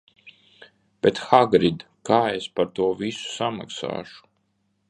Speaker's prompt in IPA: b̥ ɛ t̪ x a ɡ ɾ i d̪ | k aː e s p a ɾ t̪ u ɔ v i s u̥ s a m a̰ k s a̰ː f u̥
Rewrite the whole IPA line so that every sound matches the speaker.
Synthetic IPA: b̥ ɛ t̪ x a ɡ ɾ i d̪ | k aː e s p a ɾ t̪ u ɔ v i s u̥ s a m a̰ k s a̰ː ʃ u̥